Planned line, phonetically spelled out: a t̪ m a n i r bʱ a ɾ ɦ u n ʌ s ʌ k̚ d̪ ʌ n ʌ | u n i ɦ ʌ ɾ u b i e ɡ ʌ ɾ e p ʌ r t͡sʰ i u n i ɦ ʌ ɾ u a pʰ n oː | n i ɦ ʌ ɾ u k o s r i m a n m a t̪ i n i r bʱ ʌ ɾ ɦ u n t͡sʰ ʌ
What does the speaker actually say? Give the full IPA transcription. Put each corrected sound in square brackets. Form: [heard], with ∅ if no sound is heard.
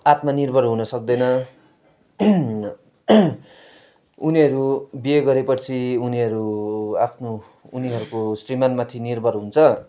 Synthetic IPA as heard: a t̪ m a n i r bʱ [ʌ] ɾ ɦ u n ʌ s ʌ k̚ d̪ ʌ n ʌ | u n i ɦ ʌ ɾ u b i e ɡ ʌ ɾ e p ʌ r t͡sʰ i u n i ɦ ʌ ɾ u a pʰ n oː | n i ɦ ʌ ɾ u k o s r i m a n m a [t̪ʰ] i n i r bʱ ʌ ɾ ɦ u n t͡sʰ ʌ